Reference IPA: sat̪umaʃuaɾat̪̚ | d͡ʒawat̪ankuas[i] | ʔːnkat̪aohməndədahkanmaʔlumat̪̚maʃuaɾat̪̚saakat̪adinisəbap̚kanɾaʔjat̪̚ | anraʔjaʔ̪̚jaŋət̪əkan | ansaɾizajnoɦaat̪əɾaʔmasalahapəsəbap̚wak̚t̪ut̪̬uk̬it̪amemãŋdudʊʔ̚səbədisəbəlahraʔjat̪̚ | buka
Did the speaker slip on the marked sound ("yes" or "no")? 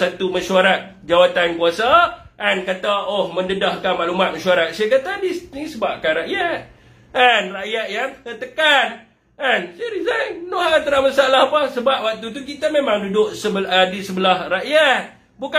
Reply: yes